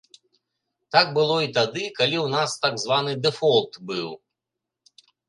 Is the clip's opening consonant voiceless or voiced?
voiceless